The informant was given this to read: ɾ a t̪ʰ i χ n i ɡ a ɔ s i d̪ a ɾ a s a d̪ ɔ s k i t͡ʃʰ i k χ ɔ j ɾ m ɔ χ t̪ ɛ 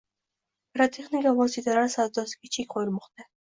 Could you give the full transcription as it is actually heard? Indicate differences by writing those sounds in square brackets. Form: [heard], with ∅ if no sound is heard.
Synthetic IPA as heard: ɾ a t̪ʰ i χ n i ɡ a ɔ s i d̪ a ɾ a s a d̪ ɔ s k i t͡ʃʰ i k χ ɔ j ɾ m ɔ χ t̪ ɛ